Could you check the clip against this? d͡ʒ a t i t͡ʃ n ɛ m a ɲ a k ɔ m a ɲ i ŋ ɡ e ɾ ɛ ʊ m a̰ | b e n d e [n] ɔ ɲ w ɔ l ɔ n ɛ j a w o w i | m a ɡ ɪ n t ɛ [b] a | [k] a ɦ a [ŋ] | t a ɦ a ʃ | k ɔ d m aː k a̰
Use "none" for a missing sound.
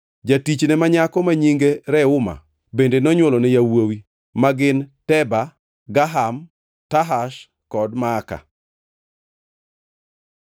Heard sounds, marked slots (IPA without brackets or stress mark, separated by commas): n, b, ɡ, m